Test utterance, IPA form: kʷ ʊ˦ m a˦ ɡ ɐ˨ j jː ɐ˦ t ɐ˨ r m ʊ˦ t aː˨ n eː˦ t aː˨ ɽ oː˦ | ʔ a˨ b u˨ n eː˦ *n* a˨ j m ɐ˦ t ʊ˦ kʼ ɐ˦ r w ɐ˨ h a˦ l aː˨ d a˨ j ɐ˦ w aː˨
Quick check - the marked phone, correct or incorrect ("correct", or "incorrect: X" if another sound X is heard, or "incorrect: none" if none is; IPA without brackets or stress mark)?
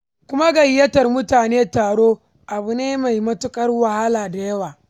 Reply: incorrect: m